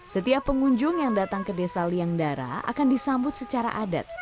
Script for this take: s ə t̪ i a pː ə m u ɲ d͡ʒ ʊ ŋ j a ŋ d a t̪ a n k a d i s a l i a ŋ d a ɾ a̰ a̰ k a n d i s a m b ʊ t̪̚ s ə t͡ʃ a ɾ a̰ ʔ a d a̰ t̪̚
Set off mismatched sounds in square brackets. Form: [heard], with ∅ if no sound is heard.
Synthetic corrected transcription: s ə t̪ i a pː ə [ŋ] u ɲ d͡ʒ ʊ ŋ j a ŋ d a t̪ a [ŋ] k [ə] d [e] s a l i a ŋ d a ɾ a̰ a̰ k a n d i s a m b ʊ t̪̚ s ə t͡ʃ a ɾ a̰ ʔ a d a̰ t̪̚